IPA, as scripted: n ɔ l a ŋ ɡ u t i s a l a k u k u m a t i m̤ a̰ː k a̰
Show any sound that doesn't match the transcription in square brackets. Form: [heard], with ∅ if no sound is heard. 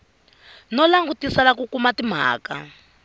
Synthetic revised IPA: n ɔ l a ŋ ɡ u t i s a l a k u k u m a t i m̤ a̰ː k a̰